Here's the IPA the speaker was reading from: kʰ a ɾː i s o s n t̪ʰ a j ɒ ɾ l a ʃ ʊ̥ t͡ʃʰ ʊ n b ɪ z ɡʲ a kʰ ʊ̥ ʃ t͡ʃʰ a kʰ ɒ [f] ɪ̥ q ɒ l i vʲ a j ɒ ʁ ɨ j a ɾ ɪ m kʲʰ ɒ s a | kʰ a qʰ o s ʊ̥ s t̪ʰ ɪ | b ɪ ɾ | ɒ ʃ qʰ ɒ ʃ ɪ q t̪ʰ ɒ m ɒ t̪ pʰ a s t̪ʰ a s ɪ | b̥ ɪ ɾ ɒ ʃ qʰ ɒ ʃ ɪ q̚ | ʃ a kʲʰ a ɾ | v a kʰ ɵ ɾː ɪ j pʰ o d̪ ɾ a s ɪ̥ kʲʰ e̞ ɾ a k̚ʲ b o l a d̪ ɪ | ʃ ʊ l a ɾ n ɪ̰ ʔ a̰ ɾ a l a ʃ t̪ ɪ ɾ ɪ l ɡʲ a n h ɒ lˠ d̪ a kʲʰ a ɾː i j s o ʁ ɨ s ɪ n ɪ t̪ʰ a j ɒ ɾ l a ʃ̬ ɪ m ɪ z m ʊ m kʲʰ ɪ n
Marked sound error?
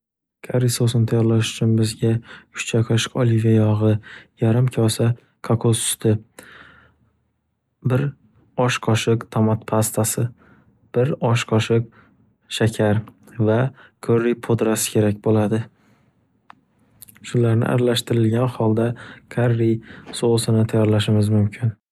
yes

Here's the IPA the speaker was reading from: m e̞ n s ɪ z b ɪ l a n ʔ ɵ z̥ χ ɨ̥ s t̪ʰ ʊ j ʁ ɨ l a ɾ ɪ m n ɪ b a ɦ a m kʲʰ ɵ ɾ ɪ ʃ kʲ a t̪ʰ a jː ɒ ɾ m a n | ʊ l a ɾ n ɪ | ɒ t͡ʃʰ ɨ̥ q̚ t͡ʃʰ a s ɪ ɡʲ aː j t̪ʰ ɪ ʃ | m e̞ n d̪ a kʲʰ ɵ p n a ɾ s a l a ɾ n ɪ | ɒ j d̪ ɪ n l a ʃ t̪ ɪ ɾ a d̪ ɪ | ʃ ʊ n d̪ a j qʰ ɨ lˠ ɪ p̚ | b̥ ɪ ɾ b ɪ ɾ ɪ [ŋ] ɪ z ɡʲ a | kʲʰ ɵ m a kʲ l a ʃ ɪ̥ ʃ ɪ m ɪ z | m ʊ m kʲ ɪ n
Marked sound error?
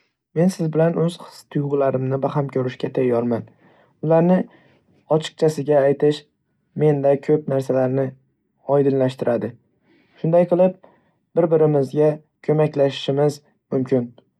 yes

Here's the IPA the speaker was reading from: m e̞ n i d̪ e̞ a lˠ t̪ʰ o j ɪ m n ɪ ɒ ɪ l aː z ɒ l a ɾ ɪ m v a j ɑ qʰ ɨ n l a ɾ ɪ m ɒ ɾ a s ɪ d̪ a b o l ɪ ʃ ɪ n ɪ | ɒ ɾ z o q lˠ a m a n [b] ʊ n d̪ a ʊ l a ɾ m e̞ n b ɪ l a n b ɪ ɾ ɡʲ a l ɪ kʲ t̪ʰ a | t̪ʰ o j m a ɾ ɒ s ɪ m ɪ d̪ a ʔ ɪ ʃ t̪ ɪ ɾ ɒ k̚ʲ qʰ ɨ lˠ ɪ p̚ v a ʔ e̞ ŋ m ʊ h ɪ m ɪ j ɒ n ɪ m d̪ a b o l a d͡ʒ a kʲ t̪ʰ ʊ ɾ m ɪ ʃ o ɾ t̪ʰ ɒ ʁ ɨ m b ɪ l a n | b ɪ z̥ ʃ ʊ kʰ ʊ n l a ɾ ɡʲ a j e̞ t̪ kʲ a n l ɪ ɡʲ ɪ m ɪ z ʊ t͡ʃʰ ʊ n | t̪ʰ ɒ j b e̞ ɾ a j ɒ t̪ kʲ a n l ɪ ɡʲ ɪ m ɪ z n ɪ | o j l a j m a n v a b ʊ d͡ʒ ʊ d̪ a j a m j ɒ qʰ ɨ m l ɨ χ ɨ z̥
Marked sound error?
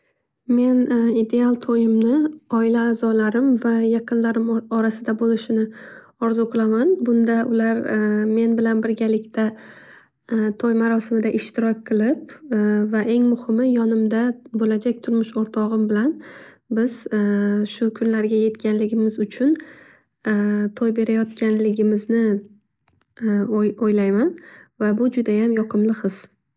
no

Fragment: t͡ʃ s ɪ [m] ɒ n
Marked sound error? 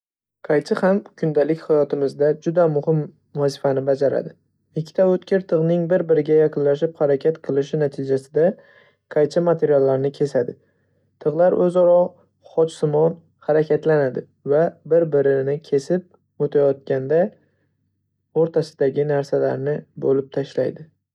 no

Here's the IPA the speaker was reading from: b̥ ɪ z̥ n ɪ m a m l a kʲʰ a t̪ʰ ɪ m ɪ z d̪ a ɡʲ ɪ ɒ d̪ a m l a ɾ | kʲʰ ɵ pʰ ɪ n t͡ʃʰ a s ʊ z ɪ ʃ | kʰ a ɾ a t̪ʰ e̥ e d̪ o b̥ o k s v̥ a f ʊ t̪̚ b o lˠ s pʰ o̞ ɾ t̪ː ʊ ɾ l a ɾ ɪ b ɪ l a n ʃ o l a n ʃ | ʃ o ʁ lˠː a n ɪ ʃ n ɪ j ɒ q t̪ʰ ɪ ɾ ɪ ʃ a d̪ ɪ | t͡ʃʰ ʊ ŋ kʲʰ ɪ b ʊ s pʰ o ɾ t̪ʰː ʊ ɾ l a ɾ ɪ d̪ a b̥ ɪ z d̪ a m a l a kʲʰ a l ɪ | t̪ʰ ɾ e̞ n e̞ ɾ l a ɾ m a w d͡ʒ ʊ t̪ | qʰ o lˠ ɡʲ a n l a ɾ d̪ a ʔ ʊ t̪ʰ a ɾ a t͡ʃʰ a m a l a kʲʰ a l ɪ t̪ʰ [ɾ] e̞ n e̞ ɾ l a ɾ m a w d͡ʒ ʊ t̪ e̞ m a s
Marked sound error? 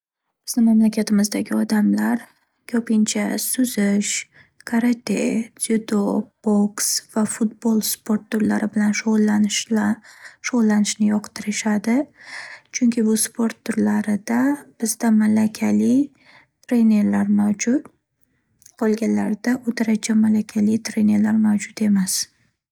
no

